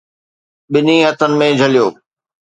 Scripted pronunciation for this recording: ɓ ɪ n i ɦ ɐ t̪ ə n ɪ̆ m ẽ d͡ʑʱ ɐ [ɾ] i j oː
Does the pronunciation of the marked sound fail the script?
yes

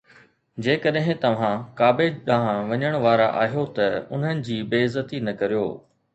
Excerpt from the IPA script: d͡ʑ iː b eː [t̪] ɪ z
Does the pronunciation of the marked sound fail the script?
yes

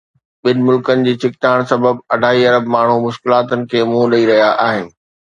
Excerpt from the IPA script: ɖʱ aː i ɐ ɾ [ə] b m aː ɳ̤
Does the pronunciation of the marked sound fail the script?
no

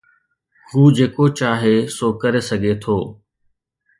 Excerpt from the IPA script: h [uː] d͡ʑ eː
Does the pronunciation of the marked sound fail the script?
no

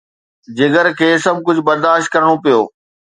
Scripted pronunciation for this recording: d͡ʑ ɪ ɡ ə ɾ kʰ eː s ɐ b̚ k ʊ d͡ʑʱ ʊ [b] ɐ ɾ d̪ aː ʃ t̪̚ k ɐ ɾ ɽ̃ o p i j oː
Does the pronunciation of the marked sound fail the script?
no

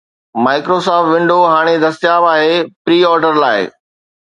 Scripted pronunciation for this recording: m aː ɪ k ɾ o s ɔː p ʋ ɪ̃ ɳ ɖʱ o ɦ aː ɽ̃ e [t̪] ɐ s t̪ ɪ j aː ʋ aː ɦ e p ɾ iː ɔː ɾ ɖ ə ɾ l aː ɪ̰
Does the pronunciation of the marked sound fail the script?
yes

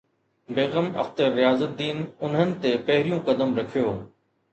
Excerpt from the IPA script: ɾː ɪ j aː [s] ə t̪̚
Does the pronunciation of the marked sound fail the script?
yes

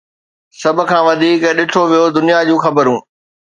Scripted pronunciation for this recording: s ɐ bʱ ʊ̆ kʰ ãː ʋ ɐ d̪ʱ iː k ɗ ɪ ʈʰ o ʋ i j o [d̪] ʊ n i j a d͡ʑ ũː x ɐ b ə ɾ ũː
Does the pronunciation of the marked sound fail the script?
no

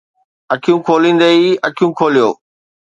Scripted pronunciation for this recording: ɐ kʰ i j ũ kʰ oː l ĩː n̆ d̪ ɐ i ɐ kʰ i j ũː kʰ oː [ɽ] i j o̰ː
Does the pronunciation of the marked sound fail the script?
yes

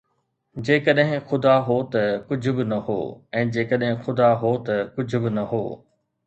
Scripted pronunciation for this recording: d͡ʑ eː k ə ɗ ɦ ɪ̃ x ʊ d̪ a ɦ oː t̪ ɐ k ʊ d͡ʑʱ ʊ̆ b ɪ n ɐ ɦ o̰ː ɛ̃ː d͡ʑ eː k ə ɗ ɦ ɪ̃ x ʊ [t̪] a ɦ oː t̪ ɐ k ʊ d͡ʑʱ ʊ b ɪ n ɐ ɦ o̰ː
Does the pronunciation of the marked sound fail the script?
yes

